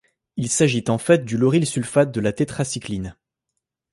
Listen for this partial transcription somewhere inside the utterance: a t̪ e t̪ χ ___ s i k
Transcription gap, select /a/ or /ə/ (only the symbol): a